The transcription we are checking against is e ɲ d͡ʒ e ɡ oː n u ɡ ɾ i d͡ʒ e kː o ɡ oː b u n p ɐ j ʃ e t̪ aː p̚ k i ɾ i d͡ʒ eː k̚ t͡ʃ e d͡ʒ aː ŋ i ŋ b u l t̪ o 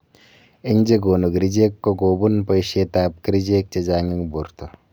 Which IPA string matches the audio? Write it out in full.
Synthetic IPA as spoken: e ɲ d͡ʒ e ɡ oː n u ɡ ɾ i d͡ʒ e kː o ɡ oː b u n p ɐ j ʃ e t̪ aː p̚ k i ɾ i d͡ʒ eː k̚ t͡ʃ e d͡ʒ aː ŋ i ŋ b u ɾ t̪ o